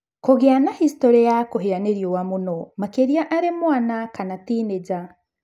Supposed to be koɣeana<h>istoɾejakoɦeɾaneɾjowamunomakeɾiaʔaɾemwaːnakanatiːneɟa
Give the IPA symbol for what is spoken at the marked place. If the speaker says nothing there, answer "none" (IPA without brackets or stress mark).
h